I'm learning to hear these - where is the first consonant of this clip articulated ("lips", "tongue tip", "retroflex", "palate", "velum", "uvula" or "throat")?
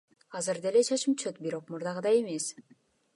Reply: tongue tip